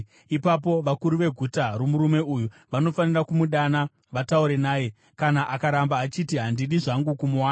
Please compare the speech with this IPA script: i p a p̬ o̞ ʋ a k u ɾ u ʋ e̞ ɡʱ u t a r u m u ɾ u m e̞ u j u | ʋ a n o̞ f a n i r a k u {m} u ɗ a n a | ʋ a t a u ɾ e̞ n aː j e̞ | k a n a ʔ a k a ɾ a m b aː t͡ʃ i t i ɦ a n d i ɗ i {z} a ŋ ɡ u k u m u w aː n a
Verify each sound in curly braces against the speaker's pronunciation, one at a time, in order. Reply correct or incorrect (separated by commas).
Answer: correct, incorrect